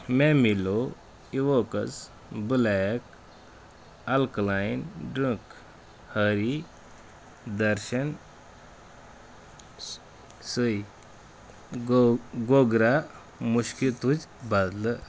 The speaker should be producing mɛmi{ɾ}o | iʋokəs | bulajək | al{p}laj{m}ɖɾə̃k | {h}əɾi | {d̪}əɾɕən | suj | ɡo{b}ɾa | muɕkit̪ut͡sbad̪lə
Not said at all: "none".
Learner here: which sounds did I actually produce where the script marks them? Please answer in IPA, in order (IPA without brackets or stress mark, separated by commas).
l, k, n, h, d̪, ɡ